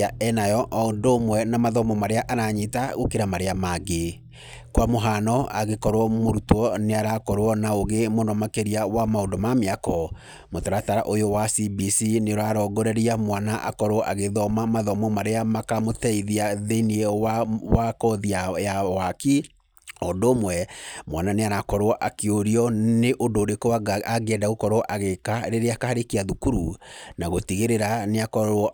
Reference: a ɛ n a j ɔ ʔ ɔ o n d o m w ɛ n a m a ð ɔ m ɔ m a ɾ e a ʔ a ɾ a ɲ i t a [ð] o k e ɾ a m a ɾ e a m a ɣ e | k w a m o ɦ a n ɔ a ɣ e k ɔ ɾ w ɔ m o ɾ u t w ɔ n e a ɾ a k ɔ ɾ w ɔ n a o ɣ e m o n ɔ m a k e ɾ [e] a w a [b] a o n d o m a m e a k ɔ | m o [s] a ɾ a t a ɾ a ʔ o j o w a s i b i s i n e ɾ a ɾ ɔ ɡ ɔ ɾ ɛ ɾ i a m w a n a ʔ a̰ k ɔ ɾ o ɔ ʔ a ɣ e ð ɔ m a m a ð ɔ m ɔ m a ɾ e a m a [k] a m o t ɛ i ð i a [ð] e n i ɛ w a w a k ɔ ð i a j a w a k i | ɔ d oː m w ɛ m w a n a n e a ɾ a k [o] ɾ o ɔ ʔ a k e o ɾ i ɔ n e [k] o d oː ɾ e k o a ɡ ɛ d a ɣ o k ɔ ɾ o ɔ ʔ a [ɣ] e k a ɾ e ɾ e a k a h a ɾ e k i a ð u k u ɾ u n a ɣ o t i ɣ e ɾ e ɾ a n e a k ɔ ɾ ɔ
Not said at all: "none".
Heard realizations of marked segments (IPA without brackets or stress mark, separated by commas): ɣ, i, m, t, k, ð, ɔ, ʔ, ɣ